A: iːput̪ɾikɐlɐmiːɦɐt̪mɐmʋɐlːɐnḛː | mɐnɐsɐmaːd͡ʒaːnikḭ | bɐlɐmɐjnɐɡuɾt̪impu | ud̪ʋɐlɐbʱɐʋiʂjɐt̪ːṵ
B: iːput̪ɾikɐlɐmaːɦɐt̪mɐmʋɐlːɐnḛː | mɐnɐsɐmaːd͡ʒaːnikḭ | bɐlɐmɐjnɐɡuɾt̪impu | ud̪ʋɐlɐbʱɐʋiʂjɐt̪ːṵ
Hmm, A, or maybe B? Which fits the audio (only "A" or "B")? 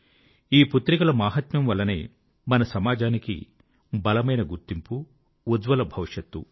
B